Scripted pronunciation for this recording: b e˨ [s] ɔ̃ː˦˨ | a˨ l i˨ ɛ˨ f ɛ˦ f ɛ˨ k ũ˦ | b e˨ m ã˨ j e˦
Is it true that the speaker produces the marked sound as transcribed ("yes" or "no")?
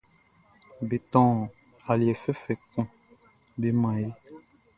no